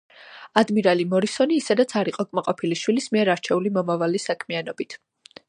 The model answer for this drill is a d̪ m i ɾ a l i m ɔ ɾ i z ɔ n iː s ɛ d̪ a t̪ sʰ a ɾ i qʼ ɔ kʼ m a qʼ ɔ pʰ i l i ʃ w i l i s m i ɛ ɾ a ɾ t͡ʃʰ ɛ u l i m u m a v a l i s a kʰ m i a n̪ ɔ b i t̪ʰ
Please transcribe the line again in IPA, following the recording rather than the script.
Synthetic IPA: a d̪ m i ɾ a l i m ɔ ɾ i s ɔ n iː s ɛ d̪ a t̪ sʰ a ɾ i qʼ ɔ kʼ m a qʼ ɔ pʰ i l i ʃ w i l i s m i ɛ ɾ a ɾ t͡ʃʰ ɛ u l i m ɔ m a v a l i s a kʰ m i a n̪ ɔ b i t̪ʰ